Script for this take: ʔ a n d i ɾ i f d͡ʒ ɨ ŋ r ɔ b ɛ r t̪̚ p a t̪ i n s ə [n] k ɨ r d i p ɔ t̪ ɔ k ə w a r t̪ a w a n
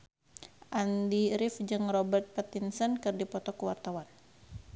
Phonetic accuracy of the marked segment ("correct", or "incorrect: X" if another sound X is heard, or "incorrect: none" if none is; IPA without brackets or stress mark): correct